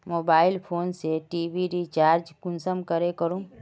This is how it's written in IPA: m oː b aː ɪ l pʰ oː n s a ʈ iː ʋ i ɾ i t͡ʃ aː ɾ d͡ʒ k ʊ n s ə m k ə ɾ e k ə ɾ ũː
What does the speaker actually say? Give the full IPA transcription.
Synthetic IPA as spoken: m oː b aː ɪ l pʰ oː n s e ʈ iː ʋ i ɾ i t͡ʃ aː ɾ d͡ʒ k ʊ n s ə m k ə ɾ e k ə ɾ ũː